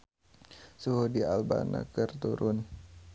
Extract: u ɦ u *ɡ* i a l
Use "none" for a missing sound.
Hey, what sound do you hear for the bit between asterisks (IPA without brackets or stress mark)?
d